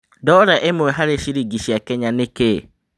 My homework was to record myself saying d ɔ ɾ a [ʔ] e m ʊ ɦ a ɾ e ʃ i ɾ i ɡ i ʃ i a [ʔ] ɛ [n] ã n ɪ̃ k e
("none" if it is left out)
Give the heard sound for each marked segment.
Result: ʔ, k, ɲ

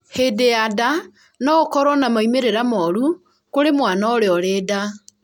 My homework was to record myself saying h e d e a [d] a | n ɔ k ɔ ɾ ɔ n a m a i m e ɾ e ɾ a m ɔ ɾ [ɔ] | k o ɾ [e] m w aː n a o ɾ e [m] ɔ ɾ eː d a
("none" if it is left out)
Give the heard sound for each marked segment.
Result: d, u, e, none

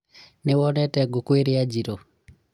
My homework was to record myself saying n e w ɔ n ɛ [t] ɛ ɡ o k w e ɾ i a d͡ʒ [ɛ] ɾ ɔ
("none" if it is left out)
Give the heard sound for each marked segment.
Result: t, i

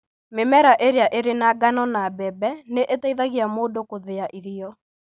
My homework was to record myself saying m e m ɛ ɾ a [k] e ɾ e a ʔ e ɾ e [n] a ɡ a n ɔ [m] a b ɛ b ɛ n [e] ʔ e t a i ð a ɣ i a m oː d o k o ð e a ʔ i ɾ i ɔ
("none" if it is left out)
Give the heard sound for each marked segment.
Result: ʔ, n, n, e

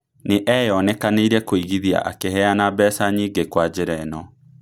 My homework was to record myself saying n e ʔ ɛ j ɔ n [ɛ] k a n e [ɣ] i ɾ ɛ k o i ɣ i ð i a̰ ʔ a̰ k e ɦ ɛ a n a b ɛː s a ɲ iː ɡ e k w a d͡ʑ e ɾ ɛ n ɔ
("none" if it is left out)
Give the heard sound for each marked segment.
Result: ɛ, none

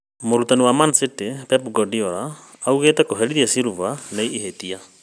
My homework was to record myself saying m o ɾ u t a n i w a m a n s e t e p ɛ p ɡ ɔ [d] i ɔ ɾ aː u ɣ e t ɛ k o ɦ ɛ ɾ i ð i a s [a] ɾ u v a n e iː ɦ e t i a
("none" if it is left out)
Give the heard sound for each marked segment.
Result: d, i

